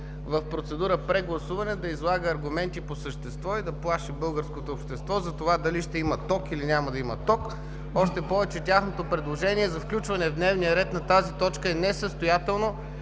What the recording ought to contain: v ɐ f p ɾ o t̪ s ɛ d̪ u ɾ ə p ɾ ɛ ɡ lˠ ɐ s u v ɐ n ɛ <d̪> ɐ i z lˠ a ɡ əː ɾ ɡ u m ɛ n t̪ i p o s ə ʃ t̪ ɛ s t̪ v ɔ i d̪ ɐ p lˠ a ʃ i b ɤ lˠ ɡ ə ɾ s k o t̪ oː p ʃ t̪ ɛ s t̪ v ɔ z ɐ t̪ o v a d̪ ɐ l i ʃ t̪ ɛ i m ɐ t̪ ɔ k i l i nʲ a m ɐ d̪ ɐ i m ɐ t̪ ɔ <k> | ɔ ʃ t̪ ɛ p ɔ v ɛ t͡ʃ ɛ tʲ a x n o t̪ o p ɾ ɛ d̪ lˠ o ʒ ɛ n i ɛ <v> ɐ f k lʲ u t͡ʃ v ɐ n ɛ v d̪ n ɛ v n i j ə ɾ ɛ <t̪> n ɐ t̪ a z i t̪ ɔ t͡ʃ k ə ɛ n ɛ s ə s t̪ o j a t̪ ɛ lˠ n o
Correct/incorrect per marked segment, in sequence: correct, correct, incorrect: z, correct

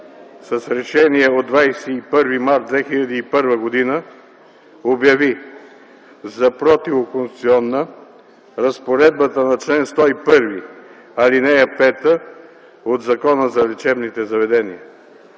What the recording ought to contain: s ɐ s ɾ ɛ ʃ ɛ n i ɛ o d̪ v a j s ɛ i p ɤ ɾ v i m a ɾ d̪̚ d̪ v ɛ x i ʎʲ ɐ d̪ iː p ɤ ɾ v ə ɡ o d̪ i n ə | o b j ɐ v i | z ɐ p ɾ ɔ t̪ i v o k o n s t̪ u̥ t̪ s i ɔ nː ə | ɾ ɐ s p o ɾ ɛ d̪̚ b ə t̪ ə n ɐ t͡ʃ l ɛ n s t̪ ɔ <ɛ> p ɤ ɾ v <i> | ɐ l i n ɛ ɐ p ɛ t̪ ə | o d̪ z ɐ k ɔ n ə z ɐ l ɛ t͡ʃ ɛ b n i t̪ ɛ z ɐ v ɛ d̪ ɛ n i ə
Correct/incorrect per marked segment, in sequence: incorrect: i, correct

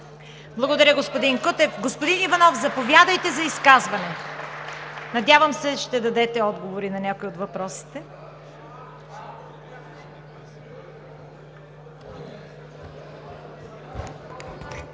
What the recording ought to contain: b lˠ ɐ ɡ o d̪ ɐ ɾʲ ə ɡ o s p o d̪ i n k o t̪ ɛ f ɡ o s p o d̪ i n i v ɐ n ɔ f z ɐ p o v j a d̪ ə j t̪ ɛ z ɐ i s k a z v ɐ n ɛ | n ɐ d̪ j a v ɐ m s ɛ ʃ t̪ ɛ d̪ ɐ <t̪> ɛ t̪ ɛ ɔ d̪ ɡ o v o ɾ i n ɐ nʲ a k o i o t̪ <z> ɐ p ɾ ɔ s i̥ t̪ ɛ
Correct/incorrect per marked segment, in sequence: incorrect: d̪, incorrect: v

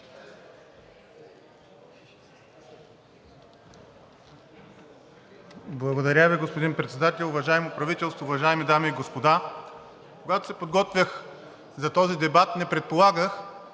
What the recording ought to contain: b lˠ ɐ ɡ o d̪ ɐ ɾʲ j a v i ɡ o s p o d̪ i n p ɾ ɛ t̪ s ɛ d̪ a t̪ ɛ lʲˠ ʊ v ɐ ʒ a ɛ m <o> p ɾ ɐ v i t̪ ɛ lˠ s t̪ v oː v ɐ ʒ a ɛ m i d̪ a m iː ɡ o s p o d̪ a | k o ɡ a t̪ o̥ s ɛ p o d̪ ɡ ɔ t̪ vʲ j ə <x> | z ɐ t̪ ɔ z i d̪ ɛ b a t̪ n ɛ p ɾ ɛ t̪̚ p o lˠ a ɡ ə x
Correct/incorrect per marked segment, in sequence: correct, correct

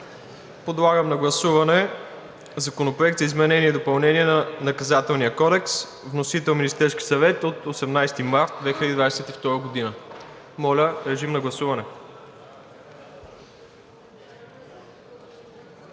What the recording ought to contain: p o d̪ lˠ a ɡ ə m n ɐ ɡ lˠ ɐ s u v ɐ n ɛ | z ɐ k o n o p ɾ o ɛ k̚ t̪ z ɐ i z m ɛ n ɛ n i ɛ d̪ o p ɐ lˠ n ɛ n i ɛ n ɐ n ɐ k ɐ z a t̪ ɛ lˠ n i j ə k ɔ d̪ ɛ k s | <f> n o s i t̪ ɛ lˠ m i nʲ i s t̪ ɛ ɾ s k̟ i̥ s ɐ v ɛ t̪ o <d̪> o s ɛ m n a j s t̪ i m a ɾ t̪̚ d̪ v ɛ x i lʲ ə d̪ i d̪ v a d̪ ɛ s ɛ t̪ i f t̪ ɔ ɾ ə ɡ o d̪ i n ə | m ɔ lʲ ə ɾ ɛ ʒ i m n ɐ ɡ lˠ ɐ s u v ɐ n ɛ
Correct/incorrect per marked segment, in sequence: incorrect: v, incorrect: t̪

